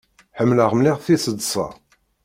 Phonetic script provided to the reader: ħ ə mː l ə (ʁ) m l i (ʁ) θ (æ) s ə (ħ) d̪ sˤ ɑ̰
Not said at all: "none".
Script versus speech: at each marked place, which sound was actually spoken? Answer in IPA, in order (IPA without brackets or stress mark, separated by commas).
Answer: ʁ, ʁ, i, none